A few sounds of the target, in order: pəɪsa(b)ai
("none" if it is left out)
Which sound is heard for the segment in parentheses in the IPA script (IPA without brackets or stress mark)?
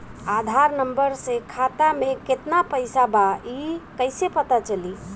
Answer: b